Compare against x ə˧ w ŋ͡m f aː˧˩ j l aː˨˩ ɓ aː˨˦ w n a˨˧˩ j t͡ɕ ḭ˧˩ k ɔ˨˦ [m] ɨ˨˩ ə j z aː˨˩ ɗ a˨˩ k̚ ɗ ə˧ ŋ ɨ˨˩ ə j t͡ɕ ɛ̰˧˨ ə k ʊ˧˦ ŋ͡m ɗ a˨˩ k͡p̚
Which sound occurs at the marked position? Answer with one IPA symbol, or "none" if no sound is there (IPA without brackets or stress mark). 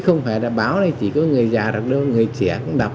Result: ŋ